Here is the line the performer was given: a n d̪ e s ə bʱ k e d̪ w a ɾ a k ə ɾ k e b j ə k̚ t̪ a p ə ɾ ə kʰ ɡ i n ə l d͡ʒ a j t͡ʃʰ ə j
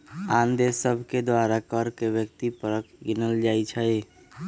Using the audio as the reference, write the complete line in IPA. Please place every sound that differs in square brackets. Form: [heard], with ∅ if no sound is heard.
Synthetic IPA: a n d̪ e s ə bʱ k e d̪ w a ɾ a k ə ɾ k e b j ə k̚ t̪ [i] p ə ɾ ə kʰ ɡ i n ə l d͡ʒ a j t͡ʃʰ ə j